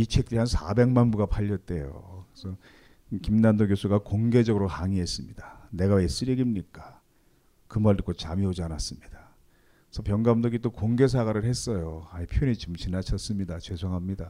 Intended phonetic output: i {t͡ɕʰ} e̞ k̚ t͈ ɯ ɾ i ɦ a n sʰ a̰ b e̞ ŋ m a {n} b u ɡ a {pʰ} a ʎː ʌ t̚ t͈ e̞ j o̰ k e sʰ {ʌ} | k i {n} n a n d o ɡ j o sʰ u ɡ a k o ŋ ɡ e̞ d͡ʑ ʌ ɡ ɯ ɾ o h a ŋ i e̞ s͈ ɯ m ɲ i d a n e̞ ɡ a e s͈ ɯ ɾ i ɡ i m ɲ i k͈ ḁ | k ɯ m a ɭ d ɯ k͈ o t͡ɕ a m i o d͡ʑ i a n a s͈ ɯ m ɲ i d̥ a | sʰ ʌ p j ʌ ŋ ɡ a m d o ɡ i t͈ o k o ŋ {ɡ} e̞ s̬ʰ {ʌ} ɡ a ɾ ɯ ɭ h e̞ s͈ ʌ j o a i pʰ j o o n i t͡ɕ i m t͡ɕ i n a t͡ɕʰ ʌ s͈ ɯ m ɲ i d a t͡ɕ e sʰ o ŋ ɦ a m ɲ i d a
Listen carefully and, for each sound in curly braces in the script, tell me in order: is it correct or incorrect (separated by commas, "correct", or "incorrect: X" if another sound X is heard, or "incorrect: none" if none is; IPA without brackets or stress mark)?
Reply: correct, correct, correct, correct, incorrect: m, correct, incorrect: a